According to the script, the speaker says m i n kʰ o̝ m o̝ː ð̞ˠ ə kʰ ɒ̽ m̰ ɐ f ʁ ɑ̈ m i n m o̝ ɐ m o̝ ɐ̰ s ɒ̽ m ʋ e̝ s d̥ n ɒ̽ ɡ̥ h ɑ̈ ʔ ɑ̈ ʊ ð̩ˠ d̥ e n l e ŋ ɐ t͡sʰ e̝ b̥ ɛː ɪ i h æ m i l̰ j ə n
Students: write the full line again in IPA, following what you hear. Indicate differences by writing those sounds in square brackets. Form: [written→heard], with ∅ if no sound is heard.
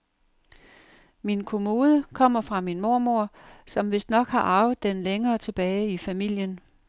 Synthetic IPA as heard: m i n kʰ o̝ m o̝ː ð̞ˠ ə kʰ ɒ̽ m̰ ɐ f ʁ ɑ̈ m i n m o̝ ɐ m o̝ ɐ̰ s ɒ̽ m ʋ e̝ s d̥ n ɒ̽ ɡ̥ h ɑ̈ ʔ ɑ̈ ʊ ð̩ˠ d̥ e n l e ŋ [ɐ→ɐː] t͡sʰ e̝ b̥ ɛː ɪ i [h→f] æ m i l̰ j ə n